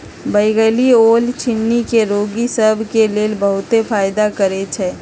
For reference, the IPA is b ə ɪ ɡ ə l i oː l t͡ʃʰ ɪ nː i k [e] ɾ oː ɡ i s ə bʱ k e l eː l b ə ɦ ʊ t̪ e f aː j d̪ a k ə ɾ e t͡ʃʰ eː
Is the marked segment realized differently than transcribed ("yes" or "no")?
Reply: no